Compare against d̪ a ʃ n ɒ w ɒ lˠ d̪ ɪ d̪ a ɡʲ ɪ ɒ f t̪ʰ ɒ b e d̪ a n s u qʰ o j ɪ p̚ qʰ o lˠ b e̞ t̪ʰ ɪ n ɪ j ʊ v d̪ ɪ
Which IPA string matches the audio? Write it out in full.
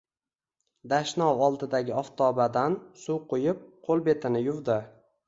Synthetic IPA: d̪ a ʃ n ɒ w ɒ lˠ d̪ ɪ d̪ a ɡʲ ɪ ɒ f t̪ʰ ɒ b a d̪ a n s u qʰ o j ɪ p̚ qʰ o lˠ b e̞ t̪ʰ ɪ n ɪ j ʊ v d̪ ɪ